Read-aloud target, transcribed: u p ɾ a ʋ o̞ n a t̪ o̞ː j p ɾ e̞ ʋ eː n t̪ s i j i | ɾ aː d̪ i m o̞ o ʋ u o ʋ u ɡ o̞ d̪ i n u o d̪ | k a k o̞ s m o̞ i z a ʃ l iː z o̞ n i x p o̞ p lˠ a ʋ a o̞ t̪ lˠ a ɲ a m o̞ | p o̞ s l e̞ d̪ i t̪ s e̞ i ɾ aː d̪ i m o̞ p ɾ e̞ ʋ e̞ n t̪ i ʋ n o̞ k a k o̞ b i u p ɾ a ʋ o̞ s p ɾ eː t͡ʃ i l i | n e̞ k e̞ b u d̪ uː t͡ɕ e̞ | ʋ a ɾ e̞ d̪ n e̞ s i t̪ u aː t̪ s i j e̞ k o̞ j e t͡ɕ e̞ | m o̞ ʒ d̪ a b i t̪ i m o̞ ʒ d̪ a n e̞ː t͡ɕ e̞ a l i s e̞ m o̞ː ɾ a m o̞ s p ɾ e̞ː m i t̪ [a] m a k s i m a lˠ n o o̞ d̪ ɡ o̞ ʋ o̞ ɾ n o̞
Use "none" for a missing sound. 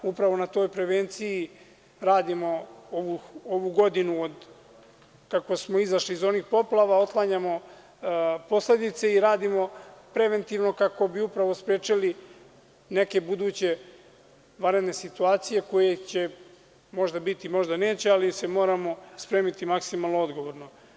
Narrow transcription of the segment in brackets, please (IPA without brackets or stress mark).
i